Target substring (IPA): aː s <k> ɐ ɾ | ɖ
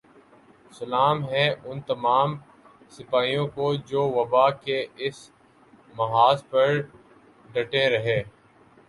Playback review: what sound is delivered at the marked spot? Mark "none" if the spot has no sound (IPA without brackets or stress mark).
p